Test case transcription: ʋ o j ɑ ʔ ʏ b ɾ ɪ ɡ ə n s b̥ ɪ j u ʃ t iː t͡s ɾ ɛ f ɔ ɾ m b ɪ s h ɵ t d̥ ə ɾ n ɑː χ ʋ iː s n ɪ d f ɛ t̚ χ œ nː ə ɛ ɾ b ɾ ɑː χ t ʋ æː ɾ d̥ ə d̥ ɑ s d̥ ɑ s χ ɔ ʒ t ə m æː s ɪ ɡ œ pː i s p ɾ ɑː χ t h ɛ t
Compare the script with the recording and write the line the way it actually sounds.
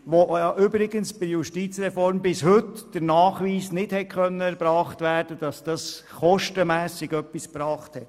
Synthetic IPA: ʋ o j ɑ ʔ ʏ b ɾ ɪ ɡ ə n s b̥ ɪ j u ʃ t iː t͡s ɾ ɛ f ɔ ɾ m b ɪ s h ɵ t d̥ ə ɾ n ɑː χ ʋ iː s n ɪ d h ɛ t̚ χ œ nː ə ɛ ɾ b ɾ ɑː χ t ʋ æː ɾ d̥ ə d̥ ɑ s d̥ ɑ s χ ɔ ʃ t ə m æː s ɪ ɡ œ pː i s p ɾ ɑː χ t h ɛ t